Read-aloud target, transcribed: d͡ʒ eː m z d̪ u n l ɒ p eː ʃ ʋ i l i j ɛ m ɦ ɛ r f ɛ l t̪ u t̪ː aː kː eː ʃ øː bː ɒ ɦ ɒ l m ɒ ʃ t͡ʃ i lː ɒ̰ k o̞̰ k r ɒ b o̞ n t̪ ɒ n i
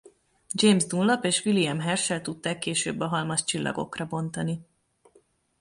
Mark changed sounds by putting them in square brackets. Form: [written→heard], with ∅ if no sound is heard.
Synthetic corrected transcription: d͡ʒ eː m z d̪ u n l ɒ p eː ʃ ʋ i l i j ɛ m ɦ ɛ r [f→ʃ] ɛ l t̪ u t̪ː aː kː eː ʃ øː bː ɒ ɦ ɒ l m ɒ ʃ t͡ʃ i lː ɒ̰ [k→ɡ] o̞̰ k r ɒ b o̞ n t̪ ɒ n i